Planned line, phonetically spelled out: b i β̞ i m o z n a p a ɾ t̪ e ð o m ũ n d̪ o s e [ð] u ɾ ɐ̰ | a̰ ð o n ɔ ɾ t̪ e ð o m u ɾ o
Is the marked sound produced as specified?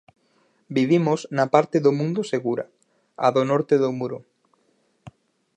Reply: no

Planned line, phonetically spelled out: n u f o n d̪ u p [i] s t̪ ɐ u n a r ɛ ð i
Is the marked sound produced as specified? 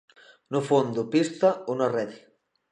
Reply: yes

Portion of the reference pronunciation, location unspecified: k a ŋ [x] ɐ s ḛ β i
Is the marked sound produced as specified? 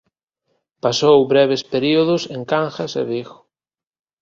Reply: yes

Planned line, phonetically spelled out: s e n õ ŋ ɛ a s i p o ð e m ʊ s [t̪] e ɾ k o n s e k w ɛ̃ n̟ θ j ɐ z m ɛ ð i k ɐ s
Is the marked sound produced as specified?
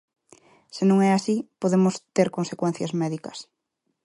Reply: yes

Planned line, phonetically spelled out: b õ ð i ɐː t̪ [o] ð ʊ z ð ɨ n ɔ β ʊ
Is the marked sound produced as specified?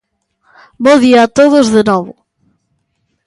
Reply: yes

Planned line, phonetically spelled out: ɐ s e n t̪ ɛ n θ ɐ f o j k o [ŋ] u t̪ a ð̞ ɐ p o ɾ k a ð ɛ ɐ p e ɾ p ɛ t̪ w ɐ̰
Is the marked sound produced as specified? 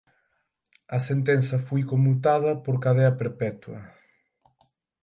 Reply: no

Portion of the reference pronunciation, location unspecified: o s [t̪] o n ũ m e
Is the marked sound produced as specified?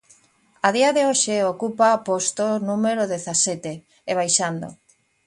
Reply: yes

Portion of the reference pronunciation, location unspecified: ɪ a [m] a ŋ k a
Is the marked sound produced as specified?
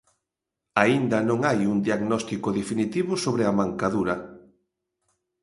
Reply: yes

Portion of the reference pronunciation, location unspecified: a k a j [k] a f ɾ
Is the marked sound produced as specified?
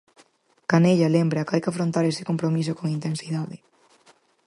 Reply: yes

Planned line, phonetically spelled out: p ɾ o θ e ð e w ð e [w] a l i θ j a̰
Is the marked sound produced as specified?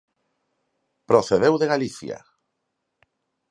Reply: no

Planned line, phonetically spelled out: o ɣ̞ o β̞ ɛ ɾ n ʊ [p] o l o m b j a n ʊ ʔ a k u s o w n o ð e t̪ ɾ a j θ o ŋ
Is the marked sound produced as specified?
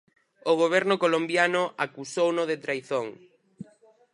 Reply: no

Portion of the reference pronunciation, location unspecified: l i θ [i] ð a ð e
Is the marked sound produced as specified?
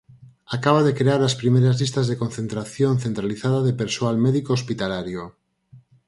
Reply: no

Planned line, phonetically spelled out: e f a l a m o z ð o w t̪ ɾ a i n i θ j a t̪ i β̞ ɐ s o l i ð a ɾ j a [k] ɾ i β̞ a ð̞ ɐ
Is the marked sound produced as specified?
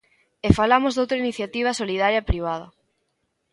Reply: no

